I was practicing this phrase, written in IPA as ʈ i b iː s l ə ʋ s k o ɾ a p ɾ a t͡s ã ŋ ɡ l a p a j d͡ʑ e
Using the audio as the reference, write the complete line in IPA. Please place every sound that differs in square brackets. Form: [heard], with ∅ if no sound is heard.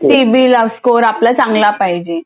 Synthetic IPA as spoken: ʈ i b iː [∅] l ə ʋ s k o ɾ a p [l] a t͡s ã ŋ ɡ l a p a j d͡ʑ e